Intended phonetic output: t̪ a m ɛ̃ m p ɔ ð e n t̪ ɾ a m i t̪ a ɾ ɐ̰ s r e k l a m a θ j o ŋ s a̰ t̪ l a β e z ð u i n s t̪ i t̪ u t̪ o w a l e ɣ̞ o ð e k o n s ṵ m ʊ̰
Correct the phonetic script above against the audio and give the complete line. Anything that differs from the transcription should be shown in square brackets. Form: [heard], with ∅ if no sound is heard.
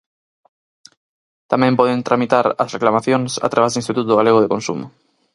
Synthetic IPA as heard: t̪ a m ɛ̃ m p ɔ ð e n t̪ ɾ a m i t̪ a ɾ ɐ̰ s r e k l a m a θ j o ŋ s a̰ t̪ [ɾ] a β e z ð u i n s t̪ i t̪ u t̪ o [ɣ] a l e ɣ̞ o ð e k o n s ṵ m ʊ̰